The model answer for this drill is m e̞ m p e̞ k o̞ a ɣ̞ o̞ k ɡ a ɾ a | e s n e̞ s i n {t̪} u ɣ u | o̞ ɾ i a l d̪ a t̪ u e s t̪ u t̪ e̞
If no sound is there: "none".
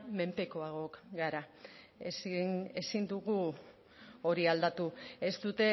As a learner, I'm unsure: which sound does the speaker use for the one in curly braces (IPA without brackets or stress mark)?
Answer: d̪